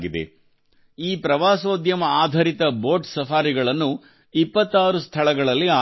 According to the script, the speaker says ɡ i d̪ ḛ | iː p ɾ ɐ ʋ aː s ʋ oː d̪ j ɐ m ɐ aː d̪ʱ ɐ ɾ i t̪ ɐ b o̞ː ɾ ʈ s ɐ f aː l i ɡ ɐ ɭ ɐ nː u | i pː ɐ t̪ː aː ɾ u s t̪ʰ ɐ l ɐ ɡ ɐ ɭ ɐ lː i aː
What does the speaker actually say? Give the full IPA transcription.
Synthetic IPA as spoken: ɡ i d̪ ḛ | iː p ɾ ɐ ʋ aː s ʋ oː d̪ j ɐ m ɐ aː d̪ʱ ɐ ɾ i t̪ ɐ b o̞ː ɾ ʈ s ɐ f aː ɾ i ɡ ɐ ɭ ɐ nː u | i pː ɐ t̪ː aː ɾ u s t̪ʰ ɐ ɭ ɐ ɡ ɐ ɭ ɐ lː i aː